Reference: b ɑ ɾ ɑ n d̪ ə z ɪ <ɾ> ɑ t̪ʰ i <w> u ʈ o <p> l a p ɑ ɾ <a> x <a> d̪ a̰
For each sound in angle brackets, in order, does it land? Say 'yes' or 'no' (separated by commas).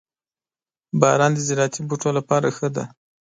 yes, no, no, yes, no